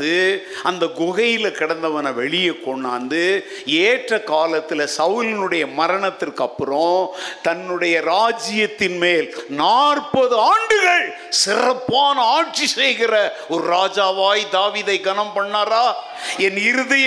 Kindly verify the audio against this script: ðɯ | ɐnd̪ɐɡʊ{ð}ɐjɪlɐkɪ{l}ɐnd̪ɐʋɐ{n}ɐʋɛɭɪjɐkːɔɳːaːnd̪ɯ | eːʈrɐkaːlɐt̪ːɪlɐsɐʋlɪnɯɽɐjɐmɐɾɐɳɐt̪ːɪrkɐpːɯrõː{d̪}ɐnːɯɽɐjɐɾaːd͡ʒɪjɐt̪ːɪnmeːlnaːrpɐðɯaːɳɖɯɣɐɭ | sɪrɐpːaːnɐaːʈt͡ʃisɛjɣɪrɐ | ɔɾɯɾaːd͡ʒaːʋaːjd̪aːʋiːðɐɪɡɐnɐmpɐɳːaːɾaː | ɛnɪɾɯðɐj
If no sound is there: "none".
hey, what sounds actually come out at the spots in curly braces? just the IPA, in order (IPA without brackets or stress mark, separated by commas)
ɣ, ɽ, n, t̪